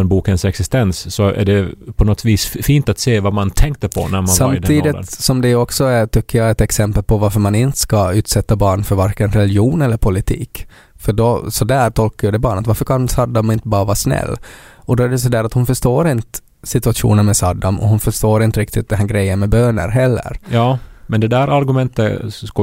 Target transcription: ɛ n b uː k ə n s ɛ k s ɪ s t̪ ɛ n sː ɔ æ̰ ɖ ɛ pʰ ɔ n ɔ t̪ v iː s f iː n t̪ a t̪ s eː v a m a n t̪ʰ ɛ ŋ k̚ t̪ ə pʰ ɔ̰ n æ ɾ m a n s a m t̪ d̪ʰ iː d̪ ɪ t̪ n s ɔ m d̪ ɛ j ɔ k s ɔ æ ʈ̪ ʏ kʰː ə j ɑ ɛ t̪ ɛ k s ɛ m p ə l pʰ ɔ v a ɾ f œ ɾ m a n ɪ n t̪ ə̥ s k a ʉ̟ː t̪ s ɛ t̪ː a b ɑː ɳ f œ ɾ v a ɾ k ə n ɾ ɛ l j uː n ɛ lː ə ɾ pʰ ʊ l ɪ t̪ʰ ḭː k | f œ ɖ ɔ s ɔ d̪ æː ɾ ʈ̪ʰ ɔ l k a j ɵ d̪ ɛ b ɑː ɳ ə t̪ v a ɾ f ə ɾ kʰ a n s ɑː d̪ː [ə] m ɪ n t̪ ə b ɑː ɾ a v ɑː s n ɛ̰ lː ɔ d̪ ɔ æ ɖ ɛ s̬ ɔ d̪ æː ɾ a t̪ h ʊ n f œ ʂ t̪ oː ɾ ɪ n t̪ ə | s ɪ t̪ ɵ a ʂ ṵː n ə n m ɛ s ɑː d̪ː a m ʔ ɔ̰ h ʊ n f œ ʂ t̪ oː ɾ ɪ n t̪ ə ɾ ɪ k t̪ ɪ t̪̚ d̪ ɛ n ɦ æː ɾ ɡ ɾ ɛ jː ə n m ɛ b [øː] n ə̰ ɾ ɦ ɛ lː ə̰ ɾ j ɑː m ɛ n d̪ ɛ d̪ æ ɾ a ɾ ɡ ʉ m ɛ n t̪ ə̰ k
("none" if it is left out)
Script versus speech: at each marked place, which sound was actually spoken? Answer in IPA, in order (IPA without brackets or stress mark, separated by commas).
a, øː